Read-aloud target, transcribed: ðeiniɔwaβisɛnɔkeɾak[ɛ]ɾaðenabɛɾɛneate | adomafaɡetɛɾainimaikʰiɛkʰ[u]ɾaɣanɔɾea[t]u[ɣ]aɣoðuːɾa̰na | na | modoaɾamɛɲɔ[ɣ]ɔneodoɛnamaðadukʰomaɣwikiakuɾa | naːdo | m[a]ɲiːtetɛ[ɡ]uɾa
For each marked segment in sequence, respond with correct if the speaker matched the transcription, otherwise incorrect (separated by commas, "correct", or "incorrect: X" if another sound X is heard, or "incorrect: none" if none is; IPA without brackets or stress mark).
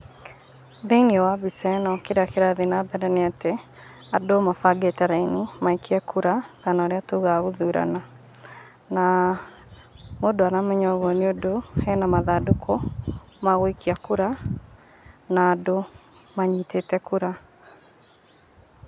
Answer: incorrect: e, correct, correct, correct, correct, correct, incorrect: k